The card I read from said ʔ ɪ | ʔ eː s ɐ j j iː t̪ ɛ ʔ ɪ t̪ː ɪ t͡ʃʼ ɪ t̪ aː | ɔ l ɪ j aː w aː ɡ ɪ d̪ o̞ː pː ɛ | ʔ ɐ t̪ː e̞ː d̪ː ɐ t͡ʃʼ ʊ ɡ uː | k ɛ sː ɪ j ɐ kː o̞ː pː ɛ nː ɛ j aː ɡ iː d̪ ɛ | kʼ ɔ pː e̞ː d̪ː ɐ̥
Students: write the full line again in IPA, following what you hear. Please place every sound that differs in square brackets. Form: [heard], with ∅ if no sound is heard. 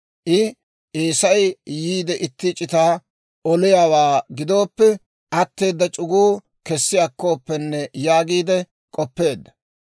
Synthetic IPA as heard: ʔ ɪ | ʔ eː s ɐ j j iː [d̪] ɛ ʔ ɪ t̪ː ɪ t͡ʃʼ ɪ t̪ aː | ɔ l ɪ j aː w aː ɡ ɪ d̪ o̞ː pː ɛ | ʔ ɐ t̪ː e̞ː d̪ː ɐ t͡ʃʼ ʊ ɡ uː | k ɛ sː ɪ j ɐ kː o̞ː pː ɛ nː ɛ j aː ɡ iː d̪ ɛ | kʼ ɔ pː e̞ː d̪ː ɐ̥

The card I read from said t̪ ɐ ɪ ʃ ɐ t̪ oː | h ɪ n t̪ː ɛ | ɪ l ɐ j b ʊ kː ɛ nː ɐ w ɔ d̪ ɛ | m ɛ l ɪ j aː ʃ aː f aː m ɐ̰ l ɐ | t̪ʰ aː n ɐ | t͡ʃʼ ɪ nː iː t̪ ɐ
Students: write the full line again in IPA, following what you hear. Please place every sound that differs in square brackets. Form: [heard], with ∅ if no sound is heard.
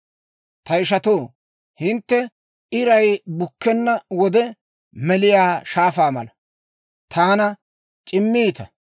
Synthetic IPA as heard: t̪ ɐ ɪ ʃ ɐ t̪ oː | h ɪ n t̪ː ɛ | ɪ [ɾ] ɐ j b ʊ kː ɛ nː ɐ w ɔ d̪ ɛ | m ɛ l ɪ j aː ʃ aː f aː m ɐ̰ l ɐ | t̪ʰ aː n ɐ | t͡ʃʼ ɪ [mː] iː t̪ ɐ

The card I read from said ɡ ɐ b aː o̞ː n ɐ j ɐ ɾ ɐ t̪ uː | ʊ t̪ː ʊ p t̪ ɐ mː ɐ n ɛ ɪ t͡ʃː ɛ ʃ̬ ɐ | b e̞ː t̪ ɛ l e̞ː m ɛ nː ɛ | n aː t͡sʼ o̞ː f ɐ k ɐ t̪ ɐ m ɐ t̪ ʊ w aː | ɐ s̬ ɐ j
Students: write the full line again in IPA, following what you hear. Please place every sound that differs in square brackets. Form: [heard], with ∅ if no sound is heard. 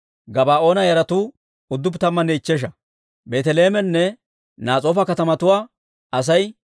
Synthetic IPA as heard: ɡ ɐ b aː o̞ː n ɐ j ɐ ɾ ɐ t̪ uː | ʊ [d̪ː] ʊ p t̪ ɐ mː ɐ n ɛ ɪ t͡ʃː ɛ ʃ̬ ɐ | b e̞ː t̪ ɛ l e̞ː m ɛ nː ɛ | n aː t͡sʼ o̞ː f ɐ k ɐ t̪ ɐ m ɐ t̪ ʊ w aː | ɐ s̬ ɐ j

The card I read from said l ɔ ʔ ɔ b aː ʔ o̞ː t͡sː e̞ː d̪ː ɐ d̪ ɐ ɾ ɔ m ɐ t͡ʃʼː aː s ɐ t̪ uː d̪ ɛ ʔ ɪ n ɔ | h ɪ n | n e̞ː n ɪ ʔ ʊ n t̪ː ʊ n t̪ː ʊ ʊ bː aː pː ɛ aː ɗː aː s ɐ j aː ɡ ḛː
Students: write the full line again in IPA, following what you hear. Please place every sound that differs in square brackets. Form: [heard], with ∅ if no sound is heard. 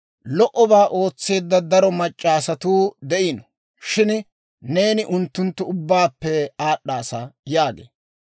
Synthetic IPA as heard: l ɔ ʔ ɔ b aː ʔ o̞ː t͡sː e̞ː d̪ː ɐ d̪ ɐ ɾ ɔ m ɐ t͡ʃʼː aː s ɐ t̪ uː d̪ ɛ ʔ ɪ n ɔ | [ʃ] ɪ n | n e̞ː n ɪ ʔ ʊ n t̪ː ʊ n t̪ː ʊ ʊ bː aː pː ɛ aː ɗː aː s ɐ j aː ɡ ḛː

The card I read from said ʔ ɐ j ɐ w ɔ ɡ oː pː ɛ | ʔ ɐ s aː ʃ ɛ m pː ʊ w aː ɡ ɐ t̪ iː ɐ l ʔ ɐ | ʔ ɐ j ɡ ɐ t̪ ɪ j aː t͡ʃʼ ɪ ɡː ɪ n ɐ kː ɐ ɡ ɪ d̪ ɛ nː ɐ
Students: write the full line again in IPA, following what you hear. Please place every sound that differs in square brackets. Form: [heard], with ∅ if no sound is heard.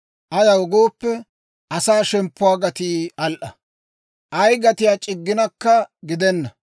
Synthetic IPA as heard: ʔ ɐ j ɐ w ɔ ɡ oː pː ɛ | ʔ ɐ s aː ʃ ɛ m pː ʊ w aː ɡ ɐ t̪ iː ɐ l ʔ ɐ | ʔ ɐ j ɡ ɐ t̪ ɪ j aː t͡ʃʼ ɪ ɡː ɪ n ɐ kː ɐ ɡ ɪ d̪ ɛ nː ɐ

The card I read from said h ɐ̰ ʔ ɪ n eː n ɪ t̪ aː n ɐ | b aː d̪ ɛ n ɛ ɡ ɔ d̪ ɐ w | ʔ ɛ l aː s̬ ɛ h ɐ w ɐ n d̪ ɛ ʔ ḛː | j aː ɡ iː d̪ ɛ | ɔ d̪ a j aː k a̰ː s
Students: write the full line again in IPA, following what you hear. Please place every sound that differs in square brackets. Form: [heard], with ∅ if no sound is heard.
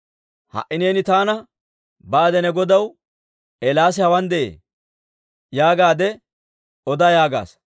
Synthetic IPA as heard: h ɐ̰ ʔ ɪ n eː n ɪ t̪ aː n ɐ | b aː d̪ ɛ n ɛ ɡ ɔ d̪ ɐ w | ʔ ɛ l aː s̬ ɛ h ɐ w ɐ n d̪ ɛ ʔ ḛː | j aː ɡ [aː] d̪ ɛ | ɔ d̪ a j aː [ɡ] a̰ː s

